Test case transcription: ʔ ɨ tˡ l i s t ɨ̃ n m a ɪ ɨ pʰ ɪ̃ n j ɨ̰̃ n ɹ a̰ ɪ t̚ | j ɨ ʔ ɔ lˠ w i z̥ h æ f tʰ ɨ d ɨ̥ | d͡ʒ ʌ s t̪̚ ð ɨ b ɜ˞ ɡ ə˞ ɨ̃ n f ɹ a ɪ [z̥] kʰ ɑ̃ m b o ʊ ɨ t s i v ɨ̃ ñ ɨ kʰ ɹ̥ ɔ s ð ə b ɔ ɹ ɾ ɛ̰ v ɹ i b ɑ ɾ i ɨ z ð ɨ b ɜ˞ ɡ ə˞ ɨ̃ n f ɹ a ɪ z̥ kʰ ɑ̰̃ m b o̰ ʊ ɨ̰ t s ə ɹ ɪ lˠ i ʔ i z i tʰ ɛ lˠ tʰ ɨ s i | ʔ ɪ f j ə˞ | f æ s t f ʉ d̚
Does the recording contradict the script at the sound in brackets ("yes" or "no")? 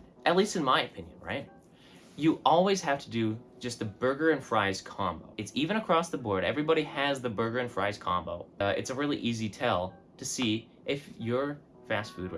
no